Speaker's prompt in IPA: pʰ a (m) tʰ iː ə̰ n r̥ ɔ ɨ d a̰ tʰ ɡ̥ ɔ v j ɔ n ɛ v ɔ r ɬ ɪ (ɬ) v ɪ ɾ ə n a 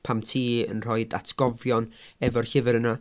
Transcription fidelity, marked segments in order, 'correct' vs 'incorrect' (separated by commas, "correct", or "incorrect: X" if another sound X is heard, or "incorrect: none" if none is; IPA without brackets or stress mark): correct, incorrect: none